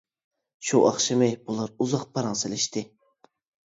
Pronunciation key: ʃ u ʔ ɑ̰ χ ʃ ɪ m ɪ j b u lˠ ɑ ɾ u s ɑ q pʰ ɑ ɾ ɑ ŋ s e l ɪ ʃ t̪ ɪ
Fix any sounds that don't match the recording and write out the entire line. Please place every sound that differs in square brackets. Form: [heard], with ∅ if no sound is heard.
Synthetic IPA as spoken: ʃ u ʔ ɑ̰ χ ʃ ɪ m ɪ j b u lˠ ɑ ɾ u [z] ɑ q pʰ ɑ ɾ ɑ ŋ s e l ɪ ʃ t̪ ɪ